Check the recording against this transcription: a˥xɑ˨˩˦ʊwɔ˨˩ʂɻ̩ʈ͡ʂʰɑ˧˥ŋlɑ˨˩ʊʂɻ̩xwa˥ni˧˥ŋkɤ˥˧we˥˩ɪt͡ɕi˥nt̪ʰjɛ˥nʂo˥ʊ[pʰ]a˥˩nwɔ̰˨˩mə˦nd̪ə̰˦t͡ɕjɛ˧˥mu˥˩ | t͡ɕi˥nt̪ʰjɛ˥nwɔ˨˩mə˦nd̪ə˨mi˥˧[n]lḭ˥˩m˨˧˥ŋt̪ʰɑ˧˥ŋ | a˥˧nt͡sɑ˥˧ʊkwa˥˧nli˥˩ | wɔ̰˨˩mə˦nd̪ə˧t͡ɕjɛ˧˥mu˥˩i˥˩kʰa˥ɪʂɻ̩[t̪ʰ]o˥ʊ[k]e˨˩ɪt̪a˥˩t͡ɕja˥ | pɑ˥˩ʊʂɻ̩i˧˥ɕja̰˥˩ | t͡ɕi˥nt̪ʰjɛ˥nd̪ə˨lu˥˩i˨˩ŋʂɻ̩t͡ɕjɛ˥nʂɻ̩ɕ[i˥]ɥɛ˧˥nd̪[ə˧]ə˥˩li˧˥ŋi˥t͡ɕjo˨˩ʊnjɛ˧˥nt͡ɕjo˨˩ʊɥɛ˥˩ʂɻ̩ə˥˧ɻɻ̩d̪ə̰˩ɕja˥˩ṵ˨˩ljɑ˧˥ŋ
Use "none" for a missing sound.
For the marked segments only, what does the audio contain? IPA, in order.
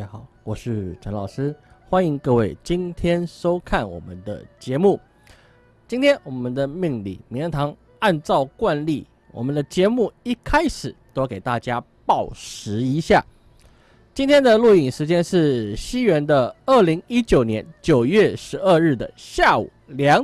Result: kʰ, ŋ, t̪, k, i˥, ə˧

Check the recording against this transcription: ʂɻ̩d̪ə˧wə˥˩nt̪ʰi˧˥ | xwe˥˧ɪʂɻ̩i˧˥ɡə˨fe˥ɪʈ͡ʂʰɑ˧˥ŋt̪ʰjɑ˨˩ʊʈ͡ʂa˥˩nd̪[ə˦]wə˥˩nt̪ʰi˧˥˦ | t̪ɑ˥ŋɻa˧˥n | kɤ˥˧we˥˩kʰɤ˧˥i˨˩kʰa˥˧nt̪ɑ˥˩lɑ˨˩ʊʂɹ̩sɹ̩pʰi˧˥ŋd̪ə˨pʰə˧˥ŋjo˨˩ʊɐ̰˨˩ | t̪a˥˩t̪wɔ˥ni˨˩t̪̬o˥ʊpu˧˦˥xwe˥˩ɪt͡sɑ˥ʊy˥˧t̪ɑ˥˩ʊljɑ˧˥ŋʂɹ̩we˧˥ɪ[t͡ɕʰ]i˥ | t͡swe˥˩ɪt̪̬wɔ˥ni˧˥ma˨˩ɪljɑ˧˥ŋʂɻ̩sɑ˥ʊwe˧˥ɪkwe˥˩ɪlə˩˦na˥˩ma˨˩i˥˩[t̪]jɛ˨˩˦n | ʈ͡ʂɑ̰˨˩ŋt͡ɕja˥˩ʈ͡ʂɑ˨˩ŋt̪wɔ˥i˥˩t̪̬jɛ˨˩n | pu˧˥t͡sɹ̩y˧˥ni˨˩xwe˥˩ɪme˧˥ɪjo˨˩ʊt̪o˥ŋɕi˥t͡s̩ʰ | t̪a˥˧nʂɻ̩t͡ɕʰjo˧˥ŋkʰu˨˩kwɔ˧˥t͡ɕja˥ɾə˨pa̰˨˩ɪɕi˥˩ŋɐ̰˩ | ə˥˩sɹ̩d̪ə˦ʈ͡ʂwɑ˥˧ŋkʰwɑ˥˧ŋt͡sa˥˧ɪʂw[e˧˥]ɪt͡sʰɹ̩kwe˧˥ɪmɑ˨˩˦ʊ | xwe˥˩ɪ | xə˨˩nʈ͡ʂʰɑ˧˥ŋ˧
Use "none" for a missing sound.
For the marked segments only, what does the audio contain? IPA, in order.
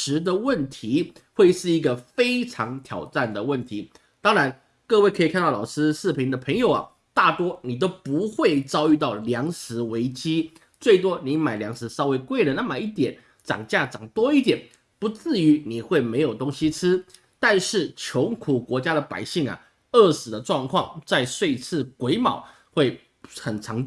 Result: ə˩, t͡ɕ, t̪, e˥˧

